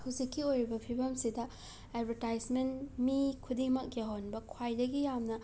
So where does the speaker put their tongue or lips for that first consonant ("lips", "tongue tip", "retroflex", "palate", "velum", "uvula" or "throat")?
throat